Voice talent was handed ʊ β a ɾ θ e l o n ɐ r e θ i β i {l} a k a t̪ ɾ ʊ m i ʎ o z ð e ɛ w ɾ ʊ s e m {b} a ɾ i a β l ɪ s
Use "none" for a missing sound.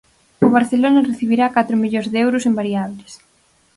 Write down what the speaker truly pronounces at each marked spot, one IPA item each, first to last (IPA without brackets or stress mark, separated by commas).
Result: ɾ, b